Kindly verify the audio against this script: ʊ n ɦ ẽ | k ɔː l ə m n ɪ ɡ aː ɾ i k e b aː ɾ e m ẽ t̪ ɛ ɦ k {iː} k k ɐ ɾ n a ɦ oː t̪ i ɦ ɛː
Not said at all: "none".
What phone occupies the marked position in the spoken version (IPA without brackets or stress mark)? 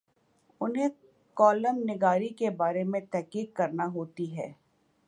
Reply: iː